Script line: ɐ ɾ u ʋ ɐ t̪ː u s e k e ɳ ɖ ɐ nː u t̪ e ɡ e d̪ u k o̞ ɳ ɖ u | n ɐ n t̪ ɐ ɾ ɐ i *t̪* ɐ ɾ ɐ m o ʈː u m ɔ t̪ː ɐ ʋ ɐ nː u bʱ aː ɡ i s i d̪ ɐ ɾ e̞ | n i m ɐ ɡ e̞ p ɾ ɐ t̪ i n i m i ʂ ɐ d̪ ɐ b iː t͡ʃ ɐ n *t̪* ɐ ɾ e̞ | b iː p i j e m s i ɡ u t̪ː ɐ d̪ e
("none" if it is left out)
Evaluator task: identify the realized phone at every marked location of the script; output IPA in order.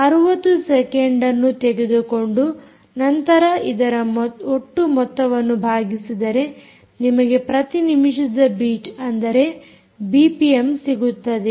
d̪, d̪

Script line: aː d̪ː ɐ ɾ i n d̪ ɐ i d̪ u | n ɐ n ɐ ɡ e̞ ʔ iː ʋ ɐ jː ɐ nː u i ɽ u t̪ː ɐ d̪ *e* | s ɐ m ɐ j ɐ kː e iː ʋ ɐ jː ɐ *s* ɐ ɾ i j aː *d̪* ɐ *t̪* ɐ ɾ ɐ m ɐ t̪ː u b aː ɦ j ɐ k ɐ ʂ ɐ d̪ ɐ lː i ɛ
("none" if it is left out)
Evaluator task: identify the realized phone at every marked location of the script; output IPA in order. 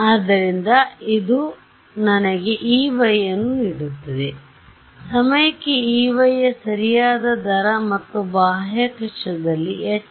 e, s, d̪, d̪

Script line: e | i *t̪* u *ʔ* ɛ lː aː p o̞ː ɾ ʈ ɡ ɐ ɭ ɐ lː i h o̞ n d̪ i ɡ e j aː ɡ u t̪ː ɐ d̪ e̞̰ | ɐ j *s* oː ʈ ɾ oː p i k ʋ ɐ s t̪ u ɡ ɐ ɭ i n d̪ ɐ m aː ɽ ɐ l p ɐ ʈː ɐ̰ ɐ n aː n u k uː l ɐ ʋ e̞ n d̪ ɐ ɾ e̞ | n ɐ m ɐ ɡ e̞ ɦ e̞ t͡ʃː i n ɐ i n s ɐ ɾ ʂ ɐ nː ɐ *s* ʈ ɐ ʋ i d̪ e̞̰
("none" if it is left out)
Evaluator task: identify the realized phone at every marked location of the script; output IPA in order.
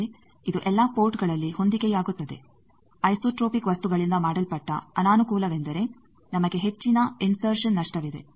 d̪, ʔ, s, ʂ

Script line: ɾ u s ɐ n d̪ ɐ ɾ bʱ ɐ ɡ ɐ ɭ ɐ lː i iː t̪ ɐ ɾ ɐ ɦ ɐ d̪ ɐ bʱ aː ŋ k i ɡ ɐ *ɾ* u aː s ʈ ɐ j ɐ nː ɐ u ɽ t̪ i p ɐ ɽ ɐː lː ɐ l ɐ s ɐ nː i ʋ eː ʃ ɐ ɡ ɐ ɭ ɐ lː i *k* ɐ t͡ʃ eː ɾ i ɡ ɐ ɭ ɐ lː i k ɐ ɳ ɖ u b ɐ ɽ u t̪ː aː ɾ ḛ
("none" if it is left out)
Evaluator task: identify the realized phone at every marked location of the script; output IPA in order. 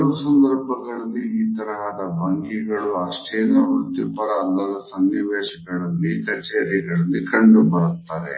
ɭ, k

